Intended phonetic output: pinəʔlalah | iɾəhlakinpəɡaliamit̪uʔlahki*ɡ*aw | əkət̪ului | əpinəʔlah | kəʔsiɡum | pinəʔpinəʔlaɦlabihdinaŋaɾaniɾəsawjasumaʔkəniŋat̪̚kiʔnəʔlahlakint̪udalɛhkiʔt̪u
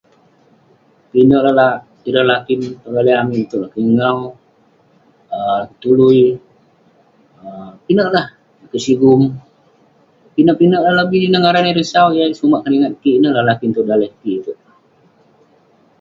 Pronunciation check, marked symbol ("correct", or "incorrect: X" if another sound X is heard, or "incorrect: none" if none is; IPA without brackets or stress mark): incorrect: ŋ